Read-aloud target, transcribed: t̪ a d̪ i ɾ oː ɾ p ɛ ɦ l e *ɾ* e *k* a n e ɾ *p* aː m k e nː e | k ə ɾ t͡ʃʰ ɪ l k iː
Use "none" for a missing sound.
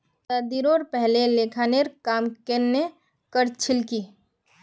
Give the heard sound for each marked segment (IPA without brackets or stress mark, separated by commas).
l, kʰ, k